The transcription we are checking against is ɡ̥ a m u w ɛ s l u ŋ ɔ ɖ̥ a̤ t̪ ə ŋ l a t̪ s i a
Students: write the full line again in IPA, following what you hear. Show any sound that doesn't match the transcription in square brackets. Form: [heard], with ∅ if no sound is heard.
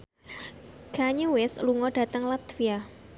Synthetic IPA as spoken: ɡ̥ a [ɲ] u w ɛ s l u ŋ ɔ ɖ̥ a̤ t̪ ə ŋ l a t̪ [f] i a